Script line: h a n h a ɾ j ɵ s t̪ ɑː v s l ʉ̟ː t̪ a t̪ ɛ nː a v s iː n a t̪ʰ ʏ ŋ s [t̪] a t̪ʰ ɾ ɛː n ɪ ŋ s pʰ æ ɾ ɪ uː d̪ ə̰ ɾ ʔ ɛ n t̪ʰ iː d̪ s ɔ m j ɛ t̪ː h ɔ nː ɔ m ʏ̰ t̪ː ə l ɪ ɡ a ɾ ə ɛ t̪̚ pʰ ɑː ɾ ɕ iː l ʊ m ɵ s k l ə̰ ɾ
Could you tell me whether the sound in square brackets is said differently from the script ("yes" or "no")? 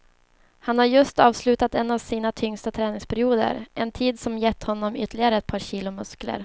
no